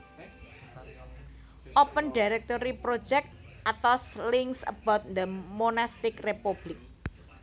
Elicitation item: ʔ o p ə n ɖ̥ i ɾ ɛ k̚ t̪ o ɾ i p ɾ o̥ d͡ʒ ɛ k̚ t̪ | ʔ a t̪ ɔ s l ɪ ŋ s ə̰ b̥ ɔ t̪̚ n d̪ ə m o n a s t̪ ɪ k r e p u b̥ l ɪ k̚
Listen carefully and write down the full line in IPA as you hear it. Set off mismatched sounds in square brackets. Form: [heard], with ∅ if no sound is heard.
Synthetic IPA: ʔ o p ə n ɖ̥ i ɾ ɛ k̚ t̪ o ɾ i p ɾ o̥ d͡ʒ ɛ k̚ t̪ | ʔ a t̪ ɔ s l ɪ ŋ s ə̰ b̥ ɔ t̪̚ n d̪ ə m o n a s t̪ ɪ k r e p u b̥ l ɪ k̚